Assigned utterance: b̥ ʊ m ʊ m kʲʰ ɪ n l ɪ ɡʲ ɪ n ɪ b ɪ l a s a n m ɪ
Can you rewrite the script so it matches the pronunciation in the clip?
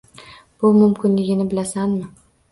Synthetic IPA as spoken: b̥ ʊ m ʊ m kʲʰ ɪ n l ɪ ɡʲ ɪ n ɪ b ɪ l a s a n m ɪ